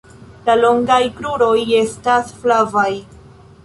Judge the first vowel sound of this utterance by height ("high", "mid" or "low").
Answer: low